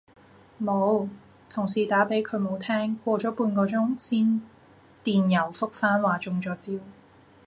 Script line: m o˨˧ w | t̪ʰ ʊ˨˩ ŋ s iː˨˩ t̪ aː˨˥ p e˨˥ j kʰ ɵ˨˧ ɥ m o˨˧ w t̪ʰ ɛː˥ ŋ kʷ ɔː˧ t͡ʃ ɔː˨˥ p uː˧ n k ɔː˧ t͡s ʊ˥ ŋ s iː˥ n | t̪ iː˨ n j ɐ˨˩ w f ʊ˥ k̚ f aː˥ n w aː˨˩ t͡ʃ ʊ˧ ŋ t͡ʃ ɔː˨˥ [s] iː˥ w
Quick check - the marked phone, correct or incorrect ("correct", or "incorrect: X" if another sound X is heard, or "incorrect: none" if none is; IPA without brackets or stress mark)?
incorrect: t͡s